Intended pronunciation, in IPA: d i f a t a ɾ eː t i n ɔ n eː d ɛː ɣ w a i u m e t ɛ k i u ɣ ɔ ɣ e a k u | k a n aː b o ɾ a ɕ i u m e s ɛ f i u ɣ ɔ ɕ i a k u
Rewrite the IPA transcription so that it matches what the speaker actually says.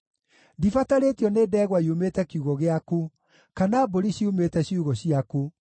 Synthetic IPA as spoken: d i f a t a ɾ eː t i ɔ n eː d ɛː ɣ w a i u m e t ɛ k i u ɣ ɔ ɣ e a k u | k a n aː b o ɾ i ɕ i u m e t ɛ ɕ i u ɣ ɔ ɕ i a k u